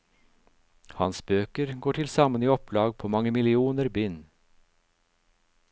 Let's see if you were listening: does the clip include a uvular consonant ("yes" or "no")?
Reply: no